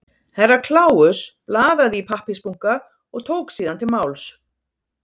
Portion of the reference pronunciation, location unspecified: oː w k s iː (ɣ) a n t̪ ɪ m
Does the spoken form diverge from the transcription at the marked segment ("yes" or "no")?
yes